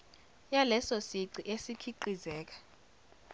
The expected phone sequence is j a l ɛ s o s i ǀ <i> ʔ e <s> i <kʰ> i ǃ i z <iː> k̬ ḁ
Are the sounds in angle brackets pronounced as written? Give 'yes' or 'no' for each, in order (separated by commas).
yes, yes, yes, no